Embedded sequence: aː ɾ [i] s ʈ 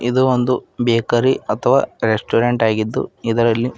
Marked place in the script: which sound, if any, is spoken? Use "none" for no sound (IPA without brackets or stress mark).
e